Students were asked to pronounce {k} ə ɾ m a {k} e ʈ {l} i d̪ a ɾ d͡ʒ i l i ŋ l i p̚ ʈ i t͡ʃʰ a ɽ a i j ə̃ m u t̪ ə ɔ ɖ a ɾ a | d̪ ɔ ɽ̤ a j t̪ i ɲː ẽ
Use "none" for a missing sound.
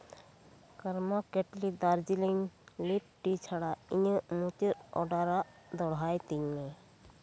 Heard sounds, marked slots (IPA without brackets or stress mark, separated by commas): k, k, l